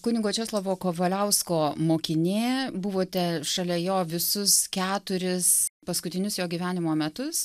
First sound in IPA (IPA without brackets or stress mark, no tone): k